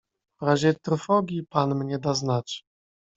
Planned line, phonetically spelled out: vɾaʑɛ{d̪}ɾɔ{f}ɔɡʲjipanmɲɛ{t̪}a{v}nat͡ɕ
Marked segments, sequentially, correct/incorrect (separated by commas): incorrect, correct, incorrect, incorrect